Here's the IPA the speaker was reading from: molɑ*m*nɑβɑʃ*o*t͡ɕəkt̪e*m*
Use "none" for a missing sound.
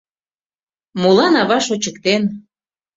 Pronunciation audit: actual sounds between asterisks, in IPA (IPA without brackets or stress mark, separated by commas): none, o, n